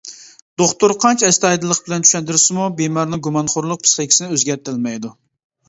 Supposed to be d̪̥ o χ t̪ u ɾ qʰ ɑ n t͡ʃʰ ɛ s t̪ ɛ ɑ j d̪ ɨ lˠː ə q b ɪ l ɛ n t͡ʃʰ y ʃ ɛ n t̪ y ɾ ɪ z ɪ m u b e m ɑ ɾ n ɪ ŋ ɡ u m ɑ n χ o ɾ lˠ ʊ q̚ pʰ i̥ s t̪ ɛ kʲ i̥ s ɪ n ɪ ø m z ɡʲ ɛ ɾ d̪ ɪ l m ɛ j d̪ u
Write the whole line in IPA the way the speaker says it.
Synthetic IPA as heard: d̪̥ o χ t̪ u ɾ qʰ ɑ n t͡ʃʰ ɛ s t̪ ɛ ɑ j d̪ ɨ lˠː ə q b ɪ l ɛ n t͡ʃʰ y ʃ ɛ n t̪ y ɾ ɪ s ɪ m u b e m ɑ ɾ n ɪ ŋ ɡ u m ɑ n χ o ɾ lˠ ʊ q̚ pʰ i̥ s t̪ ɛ kʲ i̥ s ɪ n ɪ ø z ɡʲ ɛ ɾ t̪ ɪ l m ɛ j d̪ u

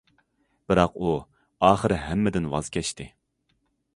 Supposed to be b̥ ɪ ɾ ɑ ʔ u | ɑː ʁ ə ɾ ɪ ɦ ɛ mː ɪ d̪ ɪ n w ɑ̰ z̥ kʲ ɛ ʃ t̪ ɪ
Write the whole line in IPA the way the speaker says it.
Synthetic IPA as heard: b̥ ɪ ɾ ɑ q u | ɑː χ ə ɾ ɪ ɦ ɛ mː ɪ d̪ ɪ n w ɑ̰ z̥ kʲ ɛ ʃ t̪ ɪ

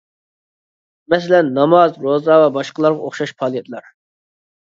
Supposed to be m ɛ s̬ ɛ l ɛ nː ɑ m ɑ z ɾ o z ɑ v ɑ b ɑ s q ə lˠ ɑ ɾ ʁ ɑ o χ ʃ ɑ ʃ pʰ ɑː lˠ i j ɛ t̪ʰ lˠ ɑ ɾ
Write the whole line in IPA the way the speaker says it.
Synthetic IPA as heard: m ɛ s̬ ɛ l ɛ nː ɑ m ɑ z ɾ o z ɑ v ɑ b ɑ ʃ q ə lˠ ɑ ɾ ʁ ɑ o χ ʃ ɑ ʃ pʰ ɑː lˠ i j ɛ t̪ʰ lˠ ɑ ɾ

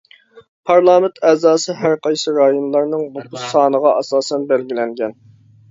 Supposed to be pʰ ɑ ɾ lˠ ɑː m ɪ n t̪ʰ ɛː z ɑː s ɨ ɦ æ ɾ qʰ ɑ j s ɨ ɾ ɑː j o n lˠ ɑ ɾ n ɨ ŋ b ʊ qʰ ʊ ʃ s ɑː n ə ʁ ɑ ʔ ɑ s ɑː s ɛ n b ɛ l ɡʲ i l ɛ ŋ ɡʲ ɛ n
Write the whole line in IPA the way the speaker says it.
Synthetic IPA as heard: pʰ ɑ ɾ lˠ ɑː m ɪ n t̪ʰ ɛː z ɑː s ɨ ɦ æ ɾ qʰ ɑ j s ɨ ɾ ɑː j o n lˠ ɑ ɾ n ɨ ŋ b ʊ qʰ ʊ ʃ s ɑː n ə ʁ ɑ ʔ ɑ s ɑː s ɛ n b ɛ l ɡʲ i l ɛ ŋ ɡʲ ɛ n

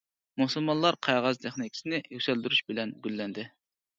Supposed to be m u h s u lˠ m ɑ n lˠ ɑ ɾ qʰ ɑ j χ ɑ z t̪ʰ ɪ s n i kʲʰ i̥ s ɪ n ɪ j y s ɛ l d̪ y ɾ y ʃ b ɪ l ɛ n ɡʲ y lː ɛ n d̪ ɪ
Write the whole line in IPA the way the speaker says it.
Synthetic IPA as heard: m u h s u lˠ m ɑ n lˠ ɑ ɾ qʰ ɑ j ʁ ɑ z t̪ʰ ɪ χ n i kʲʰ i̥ s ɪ n ɪ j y s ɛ l d̪ y ɾ y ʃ b ɪ l ɛ n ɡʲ y lː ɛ n d̪ ɪ

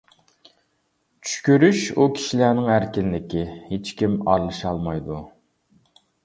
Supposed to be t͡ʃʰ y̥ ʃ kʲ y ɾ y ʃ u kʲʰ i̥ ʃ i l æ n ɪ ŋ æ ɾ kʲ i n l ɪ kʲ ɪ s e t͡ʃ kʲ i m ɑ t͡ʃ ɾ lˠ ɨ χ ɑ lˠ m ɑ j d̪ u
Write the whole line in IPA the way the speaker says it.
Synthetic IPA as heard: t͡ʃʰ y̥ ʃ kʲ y ɾ y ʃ u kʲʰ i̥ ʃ i l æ n ɪ ŋ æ ɾ kʲ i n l ɪ kʲ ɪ h e t͡ʃ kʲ i m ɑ ɾ lˠ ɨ ʃ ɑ lˠ m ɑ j d̪ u

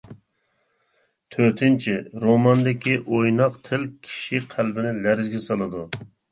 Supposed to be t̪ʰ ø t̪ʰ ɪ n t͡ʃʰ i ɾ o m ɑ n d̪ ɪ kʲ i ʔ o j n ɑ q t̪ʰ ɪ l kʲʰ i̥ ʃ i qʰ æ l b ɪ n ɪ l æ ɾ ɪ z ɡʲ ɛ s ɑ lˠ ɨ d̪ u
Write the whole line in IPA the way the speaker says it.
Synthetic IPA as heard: t̪ʰ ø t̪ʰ ɪ n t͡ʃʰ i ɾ o m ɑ n d̪ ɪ kʲ i ʔ o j n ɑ q t̪ʰ ɪ l kʲʰ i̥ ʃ i qʰ æ l b ɪ n ɪ l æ ɾ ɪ z ɡʲ ɛ s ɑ lˠ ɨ d̪ u

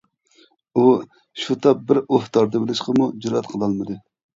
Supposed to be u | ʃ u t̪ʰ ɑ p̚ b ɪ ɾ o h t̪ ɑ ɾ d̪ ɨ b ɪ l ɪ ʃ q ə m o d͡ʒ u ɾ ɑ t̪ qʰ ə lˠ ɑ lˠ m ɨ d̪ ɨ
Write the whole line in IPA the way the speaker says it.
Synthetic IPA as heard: u | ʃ u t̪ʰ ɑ p̚ b ɪ ɾ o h t̪ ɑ ɾ d̪ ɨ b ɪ l ɪ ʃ q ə m u d͡ʒ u ɾ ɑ t̪ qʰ ə lˠ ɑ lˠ m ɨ d̪ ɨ

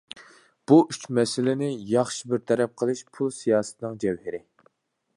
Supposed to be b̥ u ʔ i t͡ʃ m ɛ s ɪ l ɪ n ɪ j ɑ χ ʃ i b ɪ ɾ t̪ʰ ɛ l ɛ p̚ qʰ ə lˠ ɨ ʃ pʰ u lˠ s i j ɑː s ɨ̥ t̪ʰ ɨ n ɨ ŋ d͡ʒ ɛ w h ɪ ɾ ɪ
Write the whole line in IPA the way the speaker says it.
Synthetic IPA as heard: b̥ u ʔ y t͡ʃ m ɛ s ɪ l ɪ n ɪ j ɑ χ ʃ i b ɪ ɾ t̪ʰ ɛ ɾ ɛ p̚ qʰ ə lˠ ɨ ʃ pʰ u lˠ s i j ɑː s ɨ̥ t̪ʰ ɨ n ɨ ŋ d͡ʒ ɛ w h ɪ ɾ ɪ

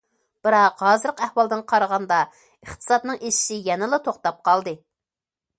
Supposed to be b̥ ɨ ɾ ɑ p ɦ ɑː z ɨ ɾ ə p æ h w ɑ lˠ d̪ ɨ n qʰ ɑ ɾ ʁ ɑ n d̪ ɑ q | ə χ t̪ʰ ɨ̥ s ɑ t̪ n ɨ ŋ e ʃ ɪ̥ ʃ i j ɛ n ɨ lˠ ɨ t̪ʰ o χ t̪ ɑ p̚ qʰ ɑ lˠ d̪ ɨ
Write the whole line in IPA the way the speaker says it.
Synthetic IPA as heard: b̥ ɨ ɾ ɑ q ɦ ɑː z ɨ ɾ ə q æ h w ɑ lˠ d̪ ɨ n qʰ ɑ ɾ ʁ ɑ n d̪ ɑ | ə χ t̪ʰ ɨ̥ s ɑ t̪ n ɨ ŋ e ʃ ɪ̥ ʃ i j ɛ n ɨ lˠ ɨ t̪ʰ o χ t̪ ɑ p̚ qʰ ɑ lˠ d̪ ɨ

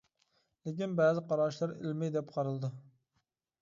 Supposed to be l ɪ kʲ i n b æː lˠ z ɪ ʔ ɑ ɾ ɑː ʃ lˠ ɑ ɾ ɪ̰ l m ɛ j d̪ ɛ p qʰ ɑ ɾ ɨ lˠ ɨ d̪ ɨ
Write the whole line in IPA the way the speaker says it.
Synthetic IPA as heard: l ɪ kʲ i n b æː z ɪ q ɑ ɾ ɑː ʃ lˠ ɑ ɾ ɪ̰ l m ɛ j d̪ ɛ p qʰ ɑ ɾ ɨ lˠ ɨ d̪ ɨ

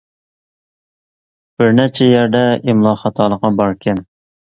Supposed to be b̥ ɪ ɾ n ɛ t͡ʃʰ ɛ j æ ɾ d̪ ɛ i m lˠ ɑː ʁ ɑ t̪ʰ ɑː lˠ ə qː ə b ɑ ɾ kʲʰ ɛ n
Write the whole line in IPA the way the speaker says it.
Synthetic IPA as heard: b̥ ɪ ɾ n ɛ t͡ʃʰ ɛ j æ ɾ d̪ ɛ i m lˠ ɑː χ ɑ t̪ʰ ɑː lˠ ə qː ɑ b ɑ ɾ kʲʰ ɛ n

